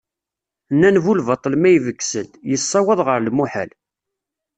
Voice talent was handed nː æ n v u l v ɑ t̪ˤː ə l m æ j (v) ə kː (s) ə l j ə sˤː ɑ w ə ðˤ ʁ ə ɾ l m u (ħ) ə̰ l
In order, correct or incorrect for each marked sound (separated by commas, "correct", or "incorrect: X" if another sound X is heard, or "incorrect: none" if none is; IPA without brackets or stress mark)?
correct, correct, correct